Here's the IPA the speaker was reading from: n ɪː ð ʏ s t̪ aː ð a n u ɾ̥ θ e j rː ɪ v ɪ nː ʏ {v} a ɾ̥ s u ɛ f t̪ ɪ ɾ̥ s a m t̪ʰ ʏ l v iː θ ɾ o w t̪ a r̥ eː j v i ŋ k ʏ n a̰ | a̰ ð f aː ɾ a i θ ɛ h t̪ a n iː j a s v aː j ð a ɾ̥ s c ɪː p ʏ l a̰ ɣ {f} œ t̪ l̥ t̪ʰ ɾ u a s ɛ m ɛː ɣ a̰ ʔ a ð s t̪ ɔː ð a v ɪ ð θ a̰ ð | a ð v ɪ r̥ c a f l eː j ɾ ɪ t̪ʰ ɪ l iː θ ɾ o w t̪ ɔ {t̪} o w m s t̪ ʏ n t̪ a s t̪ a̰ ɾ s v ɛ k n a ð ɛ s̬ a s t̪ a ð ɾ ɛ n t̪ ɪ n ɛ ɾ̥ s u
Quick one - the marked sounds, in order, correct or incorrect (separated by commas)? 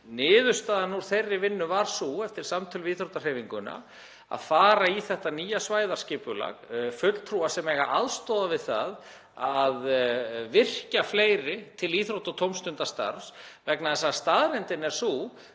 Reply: correct, correct, incorrect